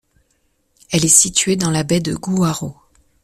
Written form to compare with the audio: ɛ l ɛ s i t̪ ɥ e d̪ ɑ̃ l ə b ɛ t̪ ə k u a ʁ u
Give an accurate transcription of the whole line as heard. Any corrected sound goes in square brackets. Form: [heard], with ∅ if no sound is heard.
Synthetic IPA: ɛ l ɛ s i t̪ ɥ e d̪ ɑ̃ l [a] b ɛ [d̪] ə [ɡ] u a ʁ [o]